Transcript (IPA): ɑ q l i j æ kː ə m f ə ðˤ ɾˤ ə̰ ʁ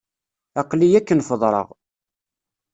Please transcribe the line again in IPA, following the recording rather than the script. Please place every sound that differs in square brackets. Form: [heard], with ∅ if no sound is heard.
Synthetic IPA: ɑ q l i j æ kː ə [n] f ə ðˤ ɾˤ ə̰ ʁ